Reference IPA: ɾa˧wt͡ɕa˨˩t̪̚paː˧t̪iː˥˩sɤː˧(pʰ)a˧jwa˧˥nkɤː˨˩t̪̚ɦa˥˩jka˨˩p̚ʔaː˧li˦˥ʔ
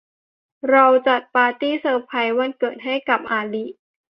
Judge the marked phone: correct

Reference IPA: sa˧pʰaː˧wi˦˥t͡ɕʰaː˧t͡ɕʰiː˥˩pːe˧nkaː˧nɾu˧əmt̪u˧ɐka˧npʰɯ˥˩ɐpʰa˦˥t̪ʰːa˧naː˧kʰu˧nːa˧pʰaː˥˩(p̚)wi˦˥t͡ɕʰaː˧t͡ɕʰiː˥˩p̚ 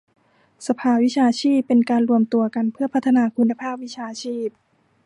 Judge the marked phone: correct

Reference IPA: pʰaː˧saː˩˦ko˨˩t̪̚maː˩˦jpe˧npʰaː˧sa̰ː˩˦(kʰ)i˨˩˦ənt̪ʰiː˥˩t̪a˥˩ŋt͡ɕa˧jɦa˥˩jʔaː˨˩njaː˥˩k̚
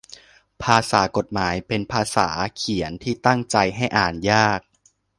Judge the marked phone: correct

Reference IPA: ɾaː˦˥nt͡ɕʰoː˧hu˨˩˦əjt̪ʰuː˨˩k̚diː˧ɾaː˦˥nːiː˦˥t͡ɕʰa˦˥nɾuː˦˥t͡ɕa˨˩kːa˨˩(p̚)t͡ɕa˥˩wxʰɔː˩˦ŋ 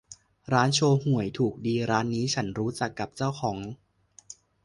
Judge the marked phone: correct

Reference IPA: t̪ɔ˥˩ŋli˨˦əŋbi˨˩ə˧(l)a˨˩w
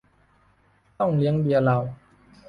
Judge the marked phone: correct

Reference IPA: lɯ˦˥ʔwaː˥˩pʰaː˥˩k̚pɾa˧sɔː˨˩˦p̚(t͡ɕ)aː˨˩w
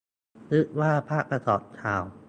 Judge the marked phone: incorrect: t͡ɕʰ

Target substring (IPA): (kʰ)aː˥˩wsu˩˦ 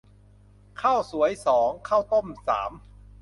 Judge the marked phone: correct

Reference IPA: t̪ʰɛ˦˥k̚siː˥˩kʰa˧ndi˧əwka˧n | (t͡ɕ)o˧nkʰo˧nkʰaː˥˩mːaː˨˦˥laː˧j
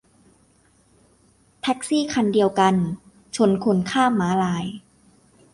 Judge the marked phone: incorrect: t͡ɕʰ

